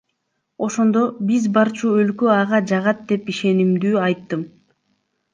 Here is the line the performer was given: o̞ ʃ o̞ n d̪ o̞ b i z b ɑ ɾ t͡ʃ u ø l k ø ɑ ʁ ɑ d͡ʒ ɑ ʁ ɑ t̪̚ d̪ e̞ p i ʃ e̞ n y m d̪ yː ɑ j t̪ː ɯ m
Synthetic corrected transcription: o̞ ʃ o̞ n d̪ o̞ b i z b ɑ ɾ t͡ʃ u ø l k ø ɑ ʁ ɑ d͡ʒ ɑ ʁ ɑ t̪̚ d̪ e̞ p i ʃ e̞ n i m d̪ yː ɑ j t̪ː ɯ m

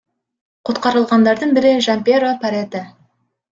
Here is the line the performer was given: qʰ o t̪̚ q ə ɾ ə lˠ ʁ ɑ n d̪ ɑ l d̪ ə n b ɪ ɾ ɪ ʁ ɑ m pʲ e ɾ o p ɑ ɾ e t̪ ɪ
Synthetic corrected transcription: qʰ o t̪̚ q ɑ ɾ ə lˠ ʁ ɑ n d̪ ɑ ɾ d̪ ə ɴ b ɪ ɾ ɪ ʒ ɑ m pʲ e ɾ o p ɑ ɾ e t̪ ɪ

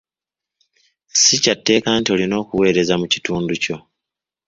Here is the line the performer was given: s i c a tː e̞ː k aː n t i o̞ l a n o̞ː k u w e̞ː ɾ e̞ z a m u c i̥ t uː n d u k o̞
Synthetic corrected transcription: s i c a tː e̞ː k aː n t i o̞ l i n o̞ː k u w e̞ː ɾ e̞ z a m u c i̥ t uː n d u c o̞

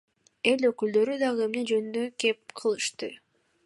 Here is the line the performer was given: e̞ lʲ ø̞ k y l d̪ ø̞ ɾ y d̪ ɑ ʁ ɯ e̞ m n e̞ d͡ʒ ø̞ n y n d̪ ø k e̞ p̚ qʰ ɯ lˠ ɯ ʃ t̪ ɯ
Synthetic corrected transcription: e̞ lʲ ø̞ k y l d̪ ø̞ ɾ y d̪ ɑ ʁ ɯ e̞ m n e̞ d͡ʒ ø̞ n y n d̪ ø k e̞ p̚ qʰ ɯ lˠ ɯ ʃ t̪ ɯ

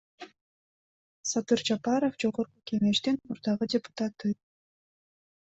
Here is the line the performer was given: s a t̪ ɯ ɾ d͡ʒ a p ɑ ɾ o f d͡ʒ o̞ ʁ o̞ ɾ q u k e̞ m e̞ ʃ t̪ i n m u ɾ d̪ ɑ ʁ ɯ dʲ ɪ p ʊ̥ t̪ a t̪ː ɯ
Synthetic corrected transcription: s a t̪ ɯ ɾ d͡ʒ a p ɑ ɾ o f d͡ʒ o̞ ʁ o̞ ɾ q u k e̞ ŋ e̞ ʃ t̪ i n m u ɾ d̪ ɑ ʁ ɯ dʲ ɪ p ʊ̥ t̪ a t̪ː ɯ

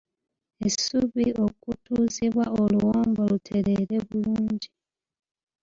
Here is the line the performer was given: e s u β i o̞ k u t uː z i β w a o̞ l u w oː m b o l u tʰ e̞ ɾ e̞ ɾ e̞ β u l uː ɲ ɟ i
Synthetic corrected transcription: e s u β i o̞ k u t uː z i β w a o̞ l u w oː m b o l u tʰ e̞ ɾ e̞ ɾ e̞ β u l uː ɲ ɟ i

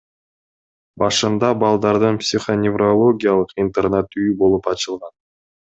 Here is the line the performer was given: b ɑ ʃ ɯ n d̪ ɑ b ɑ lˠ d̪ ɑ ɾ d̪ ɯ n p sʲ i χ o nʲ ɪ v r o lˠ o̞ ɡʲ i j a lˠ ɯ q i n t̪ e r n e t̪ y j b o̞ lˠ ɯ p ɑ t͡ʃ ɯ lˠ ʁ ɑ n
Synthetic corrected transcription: b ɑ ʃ ɯ n d̪ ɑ b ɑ lˠ d̪ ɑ ɾ d̪ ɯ n p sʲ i χ o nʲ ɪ v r o lˠ o̞ ɡʲ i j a lˠ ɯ q i n t̪ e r n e t̪ y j b o̞ lˠ u p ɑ t͡ʃ ɯ lˠ ʁ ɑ n

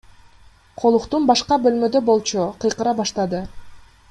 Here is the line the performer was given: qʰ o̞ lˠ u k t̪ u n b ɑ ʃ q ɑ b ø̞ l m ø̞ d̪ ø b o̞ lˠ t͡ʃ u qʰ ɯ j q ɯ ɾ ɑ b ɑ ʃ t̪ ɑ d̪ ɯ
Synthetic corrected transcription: qʰ o̞ lˠ u q t̪ u n b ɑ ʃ q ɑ b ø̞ l m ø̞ d̪ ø b o̞ lˠ t͡ʃ u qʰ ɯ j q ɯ ɾ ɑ b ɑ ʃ t̪ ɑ d̪ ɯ

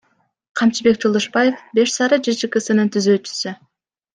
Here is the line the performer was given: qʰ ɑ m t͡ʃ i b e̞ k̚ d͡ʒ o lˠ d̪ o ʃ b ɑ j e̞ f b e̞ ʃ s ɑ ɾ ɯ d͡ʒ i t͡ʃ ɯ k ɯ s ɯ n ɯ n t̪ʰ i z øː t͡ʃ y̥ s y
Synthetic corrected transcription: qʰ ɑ m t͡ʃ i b e̞ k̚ d͡ʒ o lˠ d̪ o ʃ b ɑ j e̞ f b e̞ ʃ s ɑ ɾ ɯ d͡ʒ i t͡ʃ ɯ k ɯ s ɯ n ɯ n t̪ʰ y z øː t͡ʃ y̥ s y

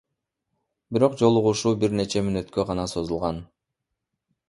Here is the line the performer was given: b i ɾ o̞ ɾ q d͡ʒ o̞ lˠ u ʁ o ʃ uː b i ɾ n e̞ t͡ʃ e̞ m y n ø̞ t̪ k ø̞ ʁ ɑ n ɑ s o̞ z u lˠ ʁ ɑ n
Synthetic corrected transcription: b i ɾ o̞ q d͡ʒ o̞ lˠ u ʁ u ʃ uː b i ɾ n e̞ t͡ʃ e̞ m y n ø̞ t̪ k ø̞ ʁ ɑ n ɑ s o̞ z u lˠ ʁ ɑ n

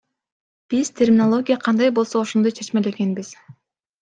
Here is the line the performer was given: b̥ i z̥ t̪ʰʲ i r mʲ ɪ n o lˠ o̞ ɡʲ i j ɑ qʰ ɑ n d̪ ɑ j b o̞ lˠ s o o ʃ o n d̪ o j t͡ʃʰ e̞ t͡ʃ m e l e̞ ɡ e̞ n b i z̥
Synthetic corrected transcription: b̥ i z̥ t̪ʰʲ e r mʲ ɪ n o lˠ o̞ ɡʲ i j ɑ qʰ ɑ n d̪ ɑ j b o̞ lˠ s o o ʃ o n d̪ o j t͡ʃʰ e̞ t͡ʃ m e l e̞ ɡ e̞ n b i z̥

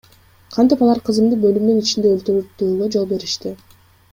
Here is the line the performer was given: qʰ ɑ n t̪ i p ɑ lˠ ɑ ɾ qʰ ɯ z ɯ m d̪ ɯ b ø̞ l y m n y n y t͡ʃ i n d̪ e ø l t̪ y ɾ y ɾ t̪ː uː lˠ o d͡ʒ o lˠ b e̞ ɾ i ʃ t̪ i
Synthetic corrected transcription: qʰ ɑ n t̪ i p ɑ lˠ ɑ ɾ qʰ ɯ z ɯ m d̪ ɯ b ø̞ l y m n y n i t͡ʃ i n d̪ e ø l t̪ y ɾ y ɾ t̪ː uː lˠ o d͡ʒ o lˠ b e̞ ɾ i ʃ t̪ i

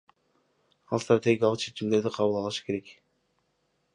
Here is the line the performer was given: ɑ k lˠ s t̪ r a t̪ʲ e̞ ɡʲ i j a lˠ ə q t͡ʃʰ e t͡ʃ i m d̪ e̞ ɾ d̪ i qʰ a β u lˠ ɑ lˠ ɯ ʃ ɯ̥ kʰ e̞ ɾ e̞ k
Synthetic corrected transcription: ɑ lˠ s t̪ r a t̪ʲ e̞ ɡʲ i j a lˠ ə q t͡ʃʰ e t͡ʃ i m d̪ e̞ ɾ d̪ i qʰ ɑ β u lˠ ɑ lˠ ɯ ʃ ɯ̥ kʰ e̞ ɾ e̞ k

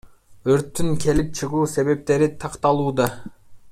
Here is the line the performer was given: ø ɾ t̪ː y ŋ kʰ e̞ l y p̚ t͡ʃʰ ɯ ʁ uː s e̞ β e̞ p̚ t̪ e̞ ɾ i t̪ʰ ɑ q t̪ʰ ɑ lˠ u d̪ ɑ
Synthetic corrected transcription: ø ɾ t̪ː y ŋ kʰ e̞ l i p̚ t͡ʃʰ ɯ ʁ uː s e̞ β e̞ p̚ t̪ e̞ ɾ i t̪ʰ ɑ q t̪ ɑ lˠ uː d̪ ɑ

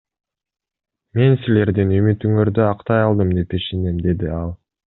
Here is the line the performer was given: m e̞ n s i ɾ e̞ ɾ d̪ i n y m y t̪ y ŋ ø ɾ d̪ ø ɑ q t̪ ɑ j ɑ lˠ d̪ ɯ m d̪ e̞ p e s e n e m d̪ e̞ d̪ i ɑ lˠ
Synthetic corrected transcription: m e̞ n s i l e̞ ɾ d̪ i n y m y t̪ y ŋ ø ɾ d̪ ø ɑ q t̪ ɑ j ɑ lˠ d̪ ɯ m d̪ e̞ p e ʃ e n e m d̪ e̞ d̪ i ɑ lˠ

